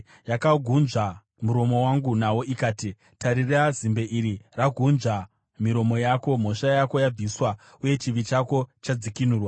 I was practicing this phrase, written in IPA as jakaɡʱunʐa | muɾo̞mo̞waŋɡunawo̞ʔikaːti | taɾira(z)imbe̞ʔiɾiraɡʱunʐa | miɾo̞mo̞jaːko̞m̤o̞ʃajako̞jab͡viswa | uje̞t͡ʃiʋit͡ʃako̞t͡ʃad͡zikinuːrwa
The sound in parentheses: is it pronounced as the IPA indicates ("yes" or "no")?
yes